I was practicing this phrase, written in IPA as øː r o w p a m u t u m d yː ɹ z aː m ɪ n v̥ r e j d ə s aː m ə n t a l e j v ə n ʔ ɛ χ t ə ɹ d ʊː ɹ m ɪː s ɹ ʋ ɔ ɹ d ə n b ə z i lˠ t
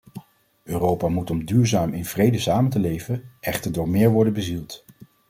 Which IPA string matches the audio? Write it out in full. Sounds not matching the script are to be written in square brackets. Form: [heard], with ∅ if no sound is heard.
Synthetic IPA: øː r o w p a m u t [ɔ] m d yː ɹ z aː m ɪ n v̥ r e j d ə s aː m ə n t [ə] l e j v ə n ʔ ɛ χ t ə ɹ d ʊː ɹ m ɪː [∅] ɹ ʋ ɔ ɹ d ə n b ə z i lˠ t

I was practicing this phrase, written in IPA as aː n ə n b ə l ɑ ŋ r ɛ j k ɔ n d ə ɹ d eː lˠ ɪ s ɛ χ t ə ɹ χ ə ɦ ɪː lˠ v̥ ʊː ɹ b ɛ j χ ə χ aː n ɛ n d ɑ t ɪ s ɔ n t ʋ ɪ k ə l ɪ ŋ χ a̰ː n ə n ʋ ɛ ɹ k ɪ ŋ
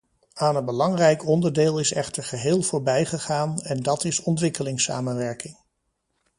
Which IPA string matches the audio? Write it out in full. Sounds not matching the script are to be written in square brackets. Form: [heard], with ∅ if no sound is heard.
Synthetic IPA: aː n ə n b ə l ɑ ŋ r ɛ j k ɔ n d ə ɹ d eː lˠ ɪ s ɛ χ t ə ɹ χ ə ɦ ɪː lˠ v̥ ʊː ɹ b ɛ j χ ə χ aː n ɛ n d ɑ t ɪ s ɔ n t ʋ ɪ k ə l ɪ ŋ [s] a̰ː [m] ə n ʋ ɛ ɹ k ɪ ŋ

